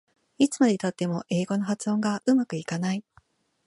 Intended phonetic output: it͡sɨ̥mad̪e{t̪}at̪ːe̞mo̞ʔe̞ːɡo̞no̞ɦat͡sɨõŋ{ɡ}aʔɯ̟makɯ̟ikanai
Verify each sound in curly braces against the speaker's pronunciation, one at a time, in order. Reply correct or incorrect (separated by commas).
correct, correct